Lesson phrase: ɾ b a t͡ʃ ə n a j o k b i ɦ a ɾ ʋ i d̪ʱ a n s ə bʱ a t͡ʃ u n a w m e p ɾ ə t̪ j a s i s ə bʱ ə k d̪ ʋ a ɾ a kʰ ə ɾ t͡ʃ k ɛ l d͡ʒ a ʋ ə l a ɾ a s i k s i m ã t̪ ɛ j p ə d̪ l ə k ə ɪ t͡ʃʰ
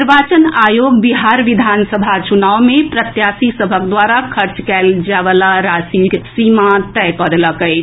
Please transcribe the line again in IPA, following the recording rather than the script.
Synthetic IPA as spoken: ɾ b a t͡ʃ ə n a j o ɡ b i ɦ a ɾ ʋ i d̪ʱ a n s ə bʱ a t͡ʃ u n a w m e p ɾ ə t̪ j a s i s ə bʱ ə k d̪ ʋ a ɾ a kʰ ə ɾ t͡ʃ k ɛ l d͡ʒ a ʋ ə l a ɾ a s i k s i m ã t̪ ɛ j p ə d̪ l ə k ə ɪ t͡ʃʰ